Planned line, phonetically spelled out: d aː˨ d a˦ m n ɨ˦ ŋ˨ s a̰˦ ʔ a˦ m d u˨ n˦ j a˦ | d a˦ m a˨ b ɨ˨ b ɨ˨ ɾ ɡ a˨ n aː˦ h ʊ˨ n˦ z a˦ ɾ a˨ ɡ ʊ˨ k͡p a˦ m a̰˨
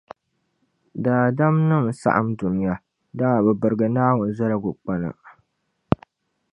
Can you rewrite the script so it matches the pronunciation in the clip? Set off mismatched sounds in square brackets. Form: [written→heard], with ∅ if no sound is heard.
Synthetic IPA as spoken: d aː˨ d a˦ m n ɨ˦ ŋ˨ s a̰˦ ʔ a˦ m d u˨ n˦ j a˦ | d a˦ [m→ŋ] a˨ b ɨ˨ b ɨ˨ ɾ ɡ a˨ n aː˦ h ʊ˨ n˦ z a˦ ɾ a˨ ɡ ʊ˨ k͡p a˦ [m→n] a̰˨